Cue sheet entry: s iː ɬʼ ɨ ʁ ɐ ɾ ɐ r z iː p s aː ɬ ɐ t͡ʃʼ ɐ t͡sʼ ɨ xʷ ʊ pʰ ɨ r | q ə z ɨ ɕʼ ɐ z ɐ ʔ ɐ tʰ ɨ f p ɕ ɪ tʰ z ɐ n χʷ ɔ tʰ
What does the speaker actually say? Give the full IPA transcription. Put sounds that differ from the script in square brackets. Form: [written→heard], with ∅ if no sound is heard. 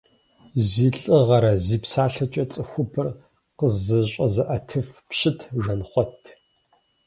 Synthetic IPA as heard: [s→z] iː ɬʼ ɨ ʁ ɐ ɾ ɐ [r→∅] z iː p s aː ɬ ɐ t͡ʃʼ ɐ t͡sʼ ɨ xʷ ʊ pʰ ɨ r | q ə z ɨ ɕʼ ɐ z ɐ ʔ ɐ tʰ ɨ f p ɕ ɪ tʰ [z→ʒ] ɐ n χʷ ɔ tʰ